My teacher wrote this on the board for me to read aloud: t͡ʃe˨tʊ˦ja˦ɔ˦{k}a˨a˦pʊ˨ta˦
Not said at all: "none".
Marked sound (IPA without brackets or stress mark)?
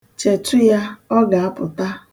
ɡ